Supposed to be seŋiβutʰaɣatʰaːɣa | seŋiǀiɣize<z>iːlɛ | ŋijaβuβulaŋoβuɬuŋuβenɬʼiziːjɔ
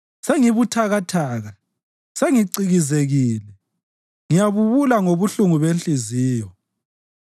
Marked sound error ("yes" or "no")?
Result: yes